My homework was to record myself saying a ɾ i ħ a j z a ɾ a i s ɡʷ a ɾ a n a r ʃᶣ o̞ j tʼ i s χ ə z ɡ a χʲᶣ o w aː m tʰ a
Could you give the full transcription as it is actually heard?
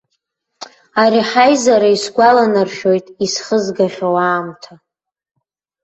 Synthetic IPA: a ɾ i ħ a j z a ɾ a i s ɡʷ a l a n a r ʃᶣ o̞ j tʼ i s χ ə z ɡ a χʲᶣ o w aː m tʰ a